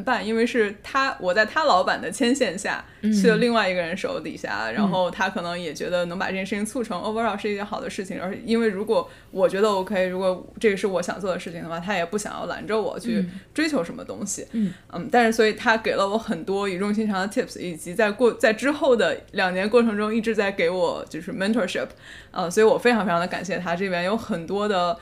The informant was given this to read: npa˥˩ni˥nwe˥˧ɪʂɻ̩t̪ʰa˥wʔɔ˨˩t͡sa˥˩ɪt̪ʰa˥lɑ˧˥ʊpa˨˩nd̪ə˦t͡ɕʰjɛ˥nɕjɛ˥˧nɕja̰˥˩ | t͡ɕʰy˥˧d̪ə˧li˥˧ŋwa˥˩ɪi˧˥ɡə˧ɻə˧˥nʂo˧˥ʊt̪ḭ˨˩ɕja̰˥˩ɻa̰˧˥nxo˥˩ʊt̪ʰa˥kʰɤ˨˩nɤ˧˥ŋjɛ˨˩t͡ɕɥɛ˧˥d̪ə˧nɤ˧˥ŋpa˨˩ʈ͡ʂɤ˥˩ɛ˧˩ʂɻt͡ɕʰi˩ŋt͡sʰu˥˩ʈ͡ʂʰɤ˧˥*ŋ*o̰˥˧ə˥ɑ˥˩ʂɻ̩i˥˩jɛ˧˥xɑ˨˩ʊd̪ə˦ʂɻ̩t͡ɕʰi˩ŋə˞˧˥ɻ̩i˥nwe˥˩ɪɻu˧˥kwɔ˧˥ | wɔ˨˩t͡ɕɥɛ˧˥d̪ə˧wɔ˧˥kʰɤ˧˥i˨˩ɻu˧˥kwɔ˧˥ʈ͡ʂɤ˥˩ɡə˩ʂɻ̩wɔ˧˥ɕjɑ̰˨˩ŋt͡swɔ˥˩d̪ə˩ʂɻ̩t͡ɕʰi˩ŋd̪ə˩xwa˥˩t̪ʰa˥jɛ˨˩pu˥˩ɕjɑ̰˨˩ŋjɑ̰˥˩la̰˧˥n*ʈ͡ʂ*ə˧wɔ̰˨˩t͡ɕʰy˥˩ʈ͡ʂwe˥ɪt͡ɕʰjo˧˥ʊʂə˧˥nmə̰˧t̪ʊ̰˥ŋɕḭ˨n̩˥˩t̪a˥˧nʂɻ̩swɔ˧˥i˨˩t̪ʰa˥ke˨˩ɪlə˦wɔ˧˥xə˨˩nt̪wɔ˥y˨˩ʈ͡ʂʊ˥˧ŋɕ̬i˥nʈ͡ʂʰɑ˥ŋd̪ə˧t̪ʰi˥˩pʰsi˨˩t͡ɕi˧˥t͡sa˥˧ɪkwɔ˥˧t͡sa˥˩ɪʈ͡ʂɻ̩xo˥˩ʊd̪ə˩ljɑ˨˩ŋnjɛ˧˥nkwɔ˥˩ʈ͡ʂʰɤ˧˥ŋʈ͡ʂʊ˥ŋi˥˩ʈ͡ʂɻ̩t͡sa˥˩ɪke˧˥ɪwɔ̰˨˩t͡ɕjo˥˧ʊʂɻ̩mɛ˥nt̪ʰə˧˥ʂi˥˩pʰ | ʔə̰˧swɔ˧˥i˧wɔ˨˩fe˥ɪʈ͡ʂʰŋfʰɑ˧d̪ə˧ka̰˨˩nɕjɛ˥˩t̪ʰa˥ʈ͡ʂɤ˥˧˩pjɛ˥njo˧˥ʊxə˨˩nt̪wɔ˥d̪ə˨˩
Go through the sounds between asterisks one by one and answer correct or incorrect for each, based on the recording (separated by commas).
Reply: correct, correct